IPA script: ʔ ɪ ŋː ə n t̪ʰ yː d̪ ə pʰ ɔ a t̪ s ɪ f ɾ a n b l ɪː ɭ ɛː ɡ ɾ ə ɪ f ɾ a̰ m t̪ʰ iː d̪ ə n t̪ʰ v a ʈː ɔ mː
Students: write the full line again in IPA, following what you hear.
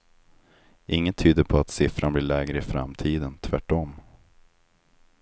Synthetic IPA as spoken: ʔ ɪ ŋː ə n t̪ʰ yː d̪ ə pʰ ɔ a t̪ s ɪ f ɾ a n b l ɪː ɭ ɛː ɡ ɾ ə ɪ f ɾ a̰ m t̪ʰ iː d̪ ə n t̪ʰ v æ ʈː ɔ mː